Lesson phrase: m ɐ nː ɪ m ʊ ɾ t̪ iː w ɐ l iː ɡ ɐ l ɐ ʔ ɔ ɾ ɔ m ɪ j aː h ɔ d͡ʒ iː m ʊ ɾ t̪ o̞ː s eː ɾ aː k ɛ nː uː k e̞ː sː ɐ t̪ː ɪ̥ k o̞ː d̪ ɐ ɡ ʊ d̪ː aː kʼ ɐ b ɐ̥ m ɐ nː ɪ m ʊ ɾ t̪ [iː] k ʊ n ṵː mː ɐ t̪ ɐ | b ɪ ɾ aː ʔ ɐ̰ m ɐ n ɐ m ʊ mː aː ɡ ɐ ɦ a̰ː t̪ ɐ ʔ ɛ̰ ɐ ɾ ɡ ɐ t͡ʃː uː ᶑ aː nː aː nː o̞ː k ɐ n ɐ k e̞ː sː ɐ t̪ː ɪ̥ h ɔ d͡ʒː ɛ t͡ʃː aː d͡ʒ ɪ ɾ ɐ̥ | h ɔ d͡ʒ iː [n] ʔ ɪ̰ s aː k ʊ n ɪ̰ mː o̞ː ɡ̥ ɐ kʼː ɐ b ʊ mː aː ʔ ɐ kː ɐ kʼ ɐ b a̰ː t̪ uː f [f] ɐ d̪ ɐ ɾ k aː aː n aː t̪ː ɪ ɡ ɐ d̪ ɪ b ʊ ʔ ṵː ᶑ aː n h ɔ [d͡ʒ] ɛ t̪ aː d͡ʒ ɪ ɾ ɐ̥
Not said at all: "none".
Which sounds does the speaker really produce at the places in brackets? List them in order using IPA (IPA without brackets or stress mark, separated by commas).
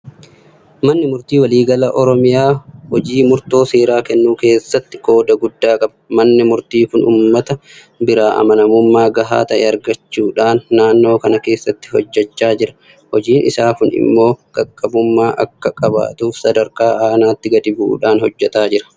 iː, n, s, d͡ʒː